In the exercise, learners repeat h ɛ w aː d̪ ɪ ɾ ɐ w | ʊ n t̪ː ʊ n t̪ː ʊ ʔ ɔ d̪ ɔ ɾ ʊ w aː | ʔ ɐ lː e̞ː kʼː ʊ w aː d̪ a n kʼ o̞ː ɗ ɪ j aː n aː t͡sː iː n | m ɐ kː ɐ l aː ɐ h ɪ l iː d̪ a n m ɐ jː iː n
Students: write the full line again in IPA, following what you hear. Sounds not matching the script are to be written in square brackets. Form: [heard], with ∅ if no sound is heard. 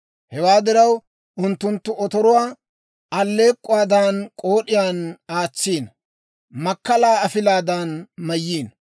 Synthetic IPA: h ɛ w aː d̪ ɪ ɾ ɐ w | ʊ n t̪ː ʊ n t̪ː ʊ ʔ ɔ [t̪] ɔ ɾ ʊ w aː | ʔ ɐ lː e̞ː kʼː ʊ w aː d̪ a n kʼ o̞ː ɗ ɪ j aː n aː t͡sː iː n | m ɐ kː ɐ l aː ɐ [f] ɪ l [aː] d̪ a n m ɐ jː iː n